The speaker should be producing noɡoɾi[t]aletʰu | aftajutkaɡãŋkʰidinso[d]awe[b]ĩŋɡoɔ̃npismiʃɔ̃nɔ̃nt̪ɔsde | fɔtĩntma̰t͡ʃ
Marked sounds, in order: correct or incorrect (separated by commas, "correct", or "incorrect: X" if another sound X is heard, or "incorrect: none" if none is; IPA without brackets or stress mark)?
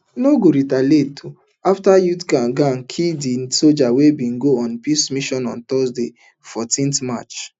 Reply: correct, incorrect: d͡ʒ, correct